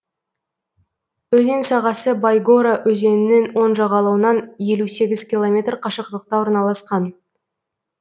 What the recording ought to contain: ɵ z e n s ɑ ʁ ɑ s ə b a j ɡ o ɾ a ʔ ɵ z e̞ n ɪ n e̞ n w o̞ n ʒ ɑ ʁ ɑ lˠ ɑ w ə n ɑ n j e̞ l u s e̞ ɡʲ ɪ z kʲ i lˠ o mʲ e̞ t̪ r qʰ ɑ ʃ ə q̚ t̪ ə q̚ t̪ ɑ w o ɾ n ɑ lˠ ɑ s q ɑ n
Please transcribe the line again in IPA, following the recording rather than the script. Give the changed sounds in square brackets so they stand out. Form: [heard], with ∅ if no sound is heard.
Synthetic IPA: ɵ z e n s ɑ ʁ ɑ s ə b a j ɡ o ɾ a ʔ ɵ z e̞ n ɪ n e̞ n w o̞ n ʒ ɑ ʁ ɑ lˠ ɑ w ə n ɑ n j e̞ l u s e̞ ɡʲ ɪ z kʲ i lˠ o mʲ e̞ t̪ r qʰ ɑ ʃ ə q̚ t̪ ə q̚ t̪ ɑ w o ɾ n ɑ lˠ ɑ s q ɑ n